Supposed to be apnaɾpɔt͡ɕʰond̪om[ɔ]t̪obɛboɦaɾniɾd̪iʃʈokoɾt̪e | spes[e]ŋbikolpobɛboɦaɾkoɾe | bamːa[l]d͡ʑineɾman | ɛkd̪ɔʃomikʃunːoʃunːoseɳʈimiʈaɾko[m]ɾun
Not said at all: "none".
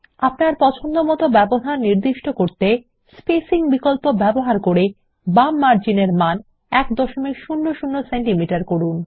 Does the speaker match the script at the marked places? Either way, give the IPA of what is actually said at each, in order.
ɔ, i, ɾ, none

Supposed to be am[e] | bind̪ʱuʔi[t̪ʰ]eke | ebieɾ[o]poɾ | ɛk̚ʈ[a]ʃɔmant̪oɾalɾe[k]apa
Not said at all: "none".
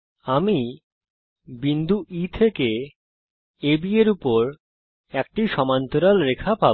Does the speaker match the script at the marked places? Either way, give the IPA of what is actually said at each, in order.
i, t̪ʰ, u, i, kʰ

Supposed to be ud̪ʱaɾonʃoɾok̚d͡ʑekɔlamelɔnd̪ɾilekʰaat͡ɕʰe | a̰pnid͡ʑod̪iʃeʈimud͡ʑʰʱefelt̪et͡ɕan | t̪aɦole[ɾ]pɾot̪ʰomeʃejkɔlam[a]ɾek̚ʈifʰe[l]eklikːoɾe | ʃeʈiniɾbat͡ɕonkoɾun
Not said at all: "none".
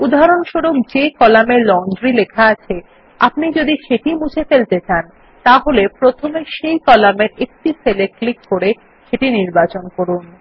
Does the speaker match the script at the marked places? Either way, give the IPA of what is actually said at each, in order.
none, e, l

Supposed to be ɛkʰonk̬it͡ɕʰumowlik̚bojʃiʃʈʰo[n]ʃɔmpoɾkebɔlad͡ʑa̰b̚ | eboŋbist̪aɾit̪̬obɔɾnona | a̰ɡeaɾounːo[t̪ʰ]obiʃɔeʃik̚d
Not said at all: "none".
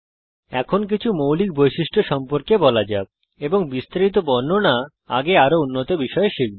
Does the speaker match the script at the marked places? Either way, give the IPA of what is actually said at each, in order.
none, t̪

